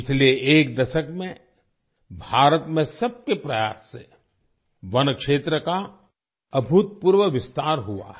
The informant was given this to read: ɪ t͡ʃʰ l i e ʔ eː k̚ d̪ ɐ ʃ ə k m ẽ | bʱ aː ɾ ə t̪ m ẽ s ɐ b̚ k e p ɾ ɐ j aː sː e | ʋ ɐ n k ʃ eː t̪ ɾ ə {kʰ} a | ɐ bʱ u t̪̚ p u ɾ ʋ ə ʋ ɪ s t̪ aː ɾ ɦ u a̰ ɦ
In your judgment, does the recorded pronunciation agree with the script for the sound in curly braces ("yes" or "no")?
no